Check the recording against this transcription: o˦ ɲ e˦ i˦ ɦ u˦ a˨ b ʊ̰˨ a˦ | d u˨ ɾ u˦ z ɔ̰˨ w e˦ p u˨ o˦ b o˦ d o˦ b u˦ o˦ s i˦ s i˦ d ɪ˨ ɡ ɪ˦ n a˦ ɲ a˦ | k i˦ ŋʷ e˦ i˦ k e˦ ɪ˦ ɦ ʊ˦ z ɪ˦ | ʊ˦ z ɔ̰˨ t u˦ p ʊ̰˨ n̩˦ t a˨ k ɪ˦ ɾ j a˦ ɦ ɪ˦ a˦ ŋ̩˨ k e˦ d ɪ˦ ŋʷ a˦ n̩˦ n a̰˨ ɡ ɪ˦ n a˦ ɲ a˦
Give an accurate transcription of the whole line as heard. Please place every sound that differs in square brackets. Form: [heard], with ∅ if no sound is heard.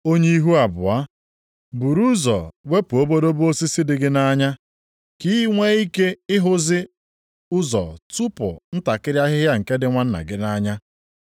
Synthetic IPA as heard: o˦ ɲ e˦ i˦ ɦ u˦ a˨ b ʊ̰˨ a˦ | [b] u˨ ɾ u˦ z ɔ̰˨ w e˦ p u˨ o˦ b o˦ d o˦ b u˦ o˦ s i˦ s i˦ d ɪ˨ ɡ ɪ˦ n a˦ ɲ a˦ | k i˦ ŋʷ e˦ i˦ k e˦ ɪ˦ ɦ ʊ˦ z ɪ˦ | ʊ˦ z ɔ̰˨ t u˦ p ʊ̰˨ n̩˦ t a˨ k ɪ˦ ɾ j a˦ ɦ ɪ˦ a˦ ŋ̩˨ k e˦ d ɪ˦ ŋʷ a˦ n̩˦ n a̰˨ ɡ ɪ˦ n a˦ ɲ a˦